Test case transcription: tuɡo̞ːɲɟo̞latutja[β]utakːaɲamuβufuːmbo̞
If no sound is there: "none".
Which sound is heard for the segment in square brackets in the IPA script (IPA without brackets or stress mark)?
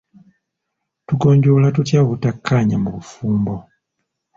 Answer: β